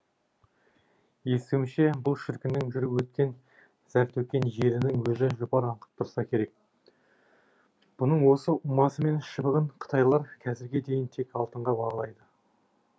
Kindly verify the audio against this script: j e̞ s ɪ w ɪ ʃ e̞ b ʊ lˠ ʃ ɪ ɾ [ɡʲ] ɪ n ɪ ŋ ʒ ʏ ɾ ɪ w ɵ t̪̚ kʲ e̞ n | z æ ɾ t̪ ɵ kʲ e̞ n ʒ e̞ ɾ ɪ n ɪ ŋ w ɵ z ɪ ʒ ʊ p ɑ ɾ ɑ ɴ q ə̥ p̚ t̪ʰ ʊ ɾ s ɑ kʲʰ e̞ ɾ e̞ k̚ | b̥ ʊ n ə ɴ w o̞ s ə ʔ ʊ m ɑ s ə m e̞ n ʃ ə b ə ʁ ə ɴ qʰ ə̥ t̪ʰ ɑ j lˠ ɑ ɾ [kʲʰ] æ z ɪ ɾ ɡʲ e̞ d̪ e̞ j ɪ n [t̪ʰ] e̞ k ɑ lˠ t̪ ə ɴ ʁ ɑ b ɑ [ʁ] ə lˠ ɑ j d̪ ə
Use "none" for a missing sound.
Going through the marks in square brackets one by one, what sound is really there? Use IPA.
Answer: kʲ, kʲʰ, t̪ʰ, ʁ

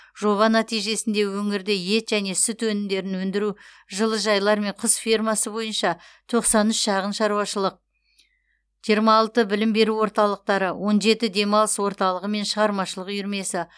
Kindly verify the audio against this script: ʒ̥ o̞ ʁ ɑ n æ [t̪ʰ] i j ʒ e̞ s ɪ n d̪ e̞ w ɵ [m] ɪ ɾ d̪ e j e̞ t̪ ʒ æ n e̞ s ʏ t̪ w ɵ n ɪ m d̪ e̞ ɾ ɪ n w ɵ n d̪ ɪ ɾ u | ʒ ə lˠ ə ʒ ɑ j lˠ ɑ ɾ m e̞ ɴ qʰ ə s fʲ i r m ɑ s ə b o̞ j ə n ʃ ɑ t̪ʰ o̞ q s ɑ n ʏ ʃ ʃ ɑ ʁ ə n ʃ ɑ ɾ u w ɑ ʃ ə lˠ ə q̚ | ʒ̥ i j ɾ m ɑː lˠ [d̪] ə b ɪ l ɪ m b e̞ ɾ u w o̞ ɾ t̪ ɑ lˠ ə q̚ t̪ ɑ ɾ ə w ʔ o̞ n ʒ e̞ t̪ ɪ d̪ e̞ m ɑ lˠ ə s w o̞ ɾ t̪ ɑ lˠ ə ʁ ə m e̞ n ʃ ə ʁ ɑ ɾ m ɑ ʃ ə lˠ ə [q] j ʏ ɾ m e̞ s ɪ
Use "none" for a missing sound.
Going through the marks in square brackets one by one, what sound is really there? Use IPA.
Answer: t̪, ŋ, t̪, q

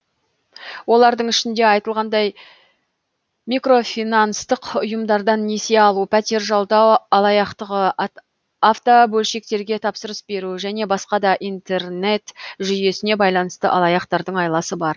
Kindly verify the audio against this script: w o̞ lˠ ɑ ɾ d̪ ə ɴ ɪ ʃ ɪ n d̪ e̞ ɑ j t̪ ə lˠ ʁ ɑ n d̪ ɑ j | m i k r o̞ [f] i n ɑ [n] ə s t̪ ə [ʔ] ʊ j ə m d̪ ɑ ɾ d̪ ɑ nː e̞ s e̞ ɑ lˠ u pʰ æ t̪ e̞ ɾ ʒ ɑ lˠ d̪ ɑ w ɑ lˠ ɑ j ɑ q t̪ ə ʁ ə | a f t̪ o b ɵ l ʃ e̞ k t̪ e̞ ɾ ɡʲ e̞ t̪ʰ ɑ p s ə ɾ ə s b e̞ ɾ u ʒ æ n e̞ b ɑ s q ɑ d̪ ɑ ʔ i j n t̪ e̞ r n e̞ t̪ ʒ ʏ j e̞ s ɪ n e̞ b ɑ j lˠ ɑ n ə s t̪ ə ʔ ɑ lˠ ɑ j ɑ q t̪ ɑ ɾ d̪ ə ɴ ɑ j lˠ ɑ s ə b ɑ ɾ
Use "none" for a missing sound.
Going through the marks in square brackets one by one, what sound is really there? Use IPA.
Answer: f, n, q

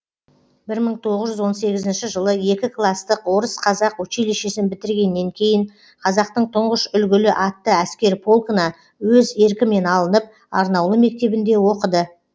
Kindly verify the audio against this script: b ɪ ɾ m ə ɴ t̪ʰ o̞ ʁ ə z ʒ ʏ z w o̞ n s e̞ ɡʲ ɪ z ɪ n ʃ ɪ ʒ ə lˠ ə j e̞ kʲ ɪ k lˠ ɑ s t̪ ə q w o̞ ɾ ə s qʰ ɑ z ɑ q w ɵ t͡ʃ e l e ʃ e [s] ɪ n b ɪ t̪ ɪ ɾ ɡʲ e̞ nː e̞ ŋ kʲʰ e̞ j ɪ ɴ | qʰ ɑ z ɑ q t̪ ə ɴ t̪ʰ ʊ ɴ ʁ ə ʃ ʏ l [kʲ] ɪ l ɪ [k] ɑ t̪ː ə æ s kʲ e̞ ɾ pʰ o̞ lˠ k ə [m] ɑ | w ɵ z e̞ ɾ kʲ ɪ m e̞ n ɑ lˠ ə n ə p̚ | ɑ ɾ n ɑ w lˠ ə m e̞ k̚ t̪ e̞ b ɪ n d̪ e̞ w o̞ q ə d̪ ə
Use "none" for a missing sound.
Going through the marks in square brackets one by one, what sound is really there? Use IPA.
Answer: s, ɡʲ, ʔ, n

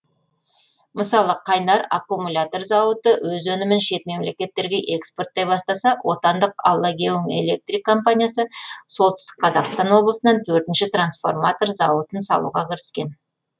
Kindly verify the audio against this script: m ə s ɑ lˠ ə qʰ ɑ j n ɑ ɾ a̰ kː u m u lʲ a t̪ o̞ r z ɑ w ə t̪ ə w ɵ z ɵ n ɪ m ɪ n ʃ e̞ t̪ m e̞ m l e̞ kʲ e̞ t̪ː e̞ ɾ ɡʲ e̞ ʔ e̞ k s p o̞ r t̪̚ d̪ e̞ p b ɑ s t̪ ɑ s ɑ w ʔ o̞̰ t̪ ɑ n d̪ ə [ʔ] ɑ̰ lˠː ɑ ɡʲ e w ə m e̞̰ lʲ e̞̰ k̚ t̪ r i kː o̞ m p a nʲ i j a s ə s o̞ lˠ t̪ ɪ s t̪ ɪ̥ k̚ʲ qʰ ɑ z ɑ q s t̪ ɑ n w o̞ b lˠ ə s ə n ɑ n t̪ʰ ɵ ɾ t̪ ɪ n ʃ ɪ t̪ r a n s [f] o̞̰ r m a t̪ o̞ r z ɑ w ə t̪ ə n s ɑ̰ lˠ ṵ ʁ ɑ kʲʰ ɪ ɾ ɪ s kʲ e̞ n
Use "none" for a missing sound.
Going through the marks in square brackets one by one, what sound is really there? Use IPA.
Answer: q, f

